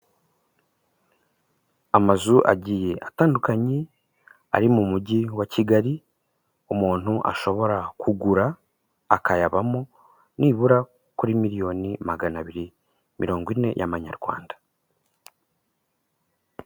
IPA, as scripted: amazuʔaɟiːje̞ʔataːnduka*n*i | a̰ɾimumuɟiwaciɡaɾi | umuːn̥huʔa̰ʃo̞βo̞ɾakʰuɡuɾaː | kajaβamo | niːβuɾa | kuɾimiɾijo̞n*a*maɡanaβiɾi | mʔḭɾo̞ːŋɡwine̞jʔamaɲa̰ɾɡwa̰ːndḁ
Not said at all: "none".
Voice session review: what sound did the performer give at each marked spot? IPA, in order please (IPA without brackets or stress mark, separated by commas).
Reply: ɲ, i